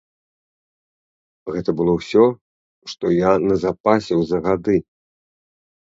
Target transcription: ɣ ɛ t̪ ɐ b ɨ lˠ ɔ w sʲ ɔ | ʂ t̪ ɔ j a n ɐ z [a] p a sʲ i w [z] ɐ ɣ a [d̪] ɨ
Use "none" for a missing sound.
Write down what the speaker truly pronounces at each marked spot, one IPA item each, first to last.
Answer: a, z, d̪

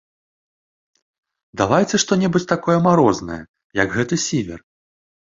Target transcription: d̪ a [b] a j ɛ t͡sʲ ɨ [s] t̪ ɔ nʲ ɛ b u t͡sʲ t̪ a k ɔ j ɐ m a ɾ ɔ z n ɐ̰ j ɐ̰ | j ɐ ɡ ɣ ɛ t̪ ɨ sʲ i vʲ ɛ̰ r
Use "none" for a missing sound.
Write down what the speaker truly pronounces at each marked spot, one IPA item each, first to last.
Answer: v, ʂ

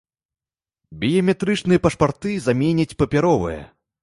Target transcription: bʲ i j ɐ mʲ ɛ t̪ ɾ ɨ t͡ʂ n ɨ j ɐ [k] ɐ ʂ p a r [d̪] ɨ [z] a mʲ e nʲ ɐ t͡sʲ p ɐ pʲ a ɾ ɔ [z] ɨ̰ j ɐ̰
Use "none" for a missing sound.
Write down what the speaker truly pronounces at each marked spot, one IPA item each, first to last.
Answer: p, t̪, z, v

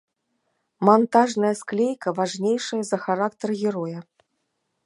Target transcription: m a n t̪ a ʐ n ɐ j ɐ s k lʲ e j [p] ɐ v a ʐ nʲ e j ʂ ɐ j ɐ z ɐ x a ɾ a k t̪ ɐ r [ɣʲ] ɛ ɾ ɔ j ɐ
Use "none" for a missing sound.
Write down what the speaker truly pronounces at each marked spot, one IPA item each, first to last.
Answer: k, ɣʲ

